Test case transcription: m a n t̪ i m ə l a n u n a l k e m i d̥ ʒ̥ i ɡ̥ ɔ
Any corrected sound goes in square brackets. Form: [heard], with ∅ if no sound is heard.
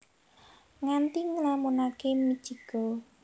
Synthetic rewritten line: [ŋ] a n t̪ i [ŋ] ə l a [m] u n a [∅] k e m i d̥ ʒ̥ i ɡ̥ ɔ